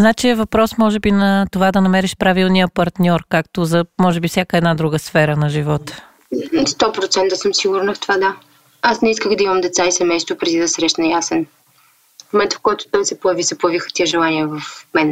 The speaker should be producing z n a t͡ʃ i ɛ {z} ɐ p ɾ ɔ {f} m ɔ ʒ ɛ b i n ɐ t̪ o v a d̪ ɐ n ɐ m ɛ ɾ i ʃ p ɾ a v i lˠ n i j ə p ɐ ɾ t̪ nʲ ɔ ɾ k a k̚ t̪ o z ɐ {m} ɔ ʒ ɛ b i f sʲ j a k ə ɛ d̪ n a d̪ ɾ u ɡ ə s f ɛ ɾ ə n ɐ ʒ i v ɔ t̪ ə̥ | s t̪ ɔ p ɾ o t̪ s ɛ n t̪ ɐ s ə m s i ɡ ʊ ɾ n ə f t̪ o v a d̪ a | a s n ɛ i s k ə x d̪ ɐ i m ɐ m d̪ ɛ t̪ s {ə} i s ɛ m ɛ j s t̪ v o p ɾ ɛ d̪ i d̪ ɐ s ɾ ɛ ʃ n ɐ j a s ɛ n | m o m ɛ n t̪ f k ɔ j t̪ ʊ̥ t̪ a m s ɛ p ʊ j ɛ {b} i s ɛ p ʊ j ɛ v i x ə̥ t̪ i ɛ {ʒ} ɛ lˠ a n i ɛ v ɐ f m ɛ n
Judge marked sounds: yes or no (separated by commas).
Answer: no, no, yes, no, no, yes